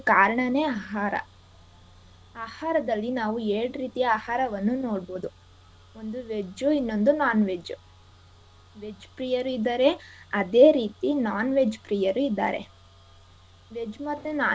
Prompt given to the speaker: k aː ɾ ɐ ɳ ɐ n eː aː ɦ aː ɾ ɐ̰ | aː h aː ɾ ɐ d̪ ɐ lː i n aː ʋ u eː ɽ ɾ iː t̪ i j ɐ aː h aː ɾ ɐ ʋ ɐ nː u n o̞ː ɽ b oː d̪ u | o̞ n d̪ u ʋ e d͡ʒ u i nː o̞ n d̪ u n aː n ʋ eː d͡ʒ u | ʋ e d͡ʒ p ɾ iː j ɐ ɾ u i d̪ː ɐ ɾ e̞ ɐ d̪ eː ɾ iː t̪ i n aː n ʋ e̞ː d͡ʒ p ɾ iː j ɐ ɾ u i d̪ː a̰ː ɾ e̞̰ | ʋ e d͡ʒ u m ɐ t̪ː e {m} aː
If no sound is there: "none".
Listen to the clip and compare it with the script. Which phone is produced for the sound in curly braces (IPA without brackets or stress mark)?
n